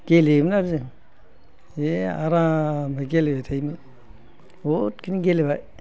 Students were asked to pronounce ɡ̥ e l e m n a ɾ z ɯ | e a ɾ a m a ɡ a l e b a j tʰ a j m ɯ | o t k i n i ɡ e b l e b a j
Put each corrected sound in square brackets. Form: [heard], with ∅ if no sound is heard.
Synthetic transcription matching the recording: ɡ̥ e l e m n a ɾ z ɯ | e a ɾ a m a ɡ [e] l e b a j tʰ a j m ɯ | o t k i n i ɡ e [∅] l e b a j